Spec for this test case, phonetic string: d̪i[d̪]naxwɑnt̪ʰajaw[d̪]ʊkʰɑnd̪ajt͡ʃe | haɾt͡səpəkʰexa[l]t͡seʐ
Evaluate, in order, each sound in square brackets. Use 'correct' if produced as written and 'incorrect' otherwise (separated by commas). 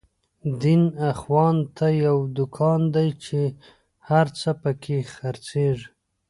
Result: incorrect, correct, incorrect